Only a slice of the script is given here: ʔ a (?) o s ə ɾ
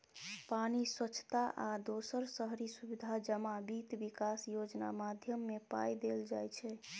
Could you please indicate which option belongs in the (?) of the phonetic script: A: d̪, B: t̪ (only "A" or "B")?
A